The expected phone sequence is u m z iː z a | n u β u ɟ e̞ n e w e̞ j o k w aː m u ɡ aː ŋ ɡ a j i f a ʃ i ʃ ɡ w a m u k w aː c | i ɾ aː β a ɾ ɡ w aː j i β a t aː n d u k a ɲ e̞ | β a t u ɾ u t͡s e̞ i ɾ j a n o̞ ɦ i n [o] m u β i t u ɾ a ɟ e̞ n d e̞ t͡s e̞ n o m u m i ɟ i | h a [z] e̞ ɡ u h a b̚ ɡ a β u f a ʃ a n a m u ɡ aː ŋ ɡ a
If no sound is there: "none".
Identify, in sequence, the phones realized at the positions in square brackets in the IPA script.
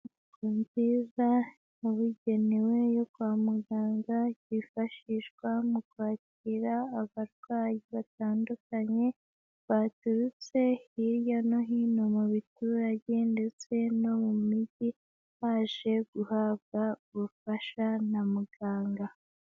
o, ʒ

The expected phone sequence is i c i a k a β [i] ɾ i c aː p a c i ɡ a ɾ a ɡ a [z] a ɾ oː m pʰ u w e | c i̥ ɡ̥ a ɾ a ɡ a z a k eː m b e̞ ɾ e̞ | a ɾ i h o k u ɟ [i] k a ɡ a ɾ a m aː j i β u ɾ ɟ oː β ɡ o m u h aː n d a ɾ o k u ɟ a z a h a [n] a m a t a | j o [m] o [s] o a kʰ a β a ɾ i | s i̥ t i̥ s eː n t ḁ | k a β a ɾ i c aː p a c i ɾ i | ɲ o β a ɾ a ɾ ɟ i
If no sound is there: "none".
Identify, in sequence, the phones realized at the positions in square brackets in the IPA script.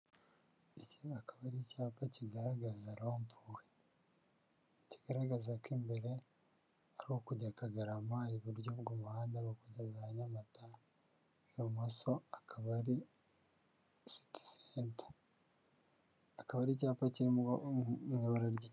a, z, a, ɲ, m, s

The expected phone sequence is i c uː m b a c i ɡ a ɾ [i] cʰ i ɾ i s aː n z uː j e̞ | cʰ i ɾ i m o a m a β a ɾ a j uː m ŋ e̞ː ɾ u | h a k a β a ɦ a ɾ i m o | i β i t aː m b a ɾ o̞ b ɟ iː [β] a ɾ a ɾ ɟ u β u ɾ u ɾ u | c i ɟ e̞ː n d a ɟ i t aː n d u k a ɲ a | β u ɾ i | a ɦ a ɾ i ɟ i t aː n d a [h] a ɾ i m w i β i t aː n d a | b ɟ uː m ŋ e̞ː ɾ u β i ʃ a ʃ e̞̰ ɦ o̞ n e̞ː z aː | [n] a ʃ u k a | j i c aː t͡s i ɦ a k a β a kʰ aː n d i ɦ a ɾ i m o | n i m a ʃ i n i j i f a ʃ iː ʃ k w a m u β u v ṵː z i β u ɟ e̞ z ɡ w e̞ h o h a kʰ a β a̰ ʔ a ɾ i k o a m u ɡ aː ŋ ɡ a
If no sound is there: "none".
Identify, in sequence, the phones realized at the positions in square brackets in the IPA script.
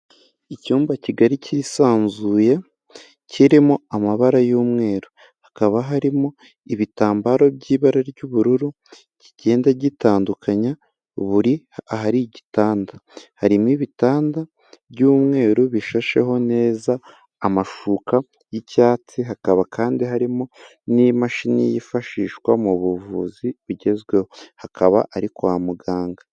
i, β, h, m

